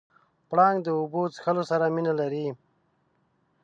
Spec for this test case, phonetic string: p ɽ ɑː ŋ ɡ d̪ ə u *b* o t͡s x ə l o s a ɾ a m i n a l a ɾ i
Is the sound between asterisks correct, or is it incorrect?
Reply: correct